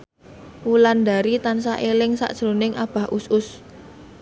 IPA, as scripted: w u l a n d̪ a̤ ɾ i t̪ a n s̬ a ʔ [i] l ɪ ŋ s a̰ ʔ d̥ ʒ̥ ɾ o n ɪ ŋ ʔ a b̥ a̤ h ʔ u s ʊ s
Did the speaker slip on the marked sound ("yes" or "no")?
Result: yes